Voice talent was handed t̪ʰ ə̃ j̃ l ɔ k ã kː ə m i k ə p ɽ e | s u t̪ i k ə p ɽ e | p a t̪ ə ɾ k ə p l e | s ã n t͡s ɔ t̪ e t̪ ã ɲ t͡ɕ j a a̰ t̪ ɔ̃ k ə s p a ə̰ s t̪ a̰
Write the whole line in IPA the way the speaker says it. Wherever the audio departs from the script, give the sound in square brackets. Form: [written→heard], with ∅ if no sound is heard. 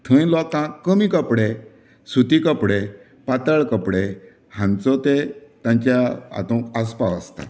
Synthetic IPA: t̪ʰ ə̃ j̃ l ɔ k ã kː ə m i k ə p ɽ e | s u t̪ i k ə p ɽ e | p a t̪ ə [ɾ→ɭ] k ə p [l→ɽ] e | [s→h] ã n t͡s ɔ t̪ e t̪ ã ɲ t͡ɕ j a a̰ t̪ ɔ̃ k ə s p a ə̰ s t̪ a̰